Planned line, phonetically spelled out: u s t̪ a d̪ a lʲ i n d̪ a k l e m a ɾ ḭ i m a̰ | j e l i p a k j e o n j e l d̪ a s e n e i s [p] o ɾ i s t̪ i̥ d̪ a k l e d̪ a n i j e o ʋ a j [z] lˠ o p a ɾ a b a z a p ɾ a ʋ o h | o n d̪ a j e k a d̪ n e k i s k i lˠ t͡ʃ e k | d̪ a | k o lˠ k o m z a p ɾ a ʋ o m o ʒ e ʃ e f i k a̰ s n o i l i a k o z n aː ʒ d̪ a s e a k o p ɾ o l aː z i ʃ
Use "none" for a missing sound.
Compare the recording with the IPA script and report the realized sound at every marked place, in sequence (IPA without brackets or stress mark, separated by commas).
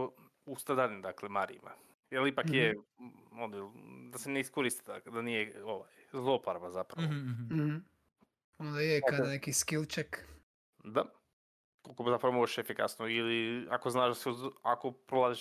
k, z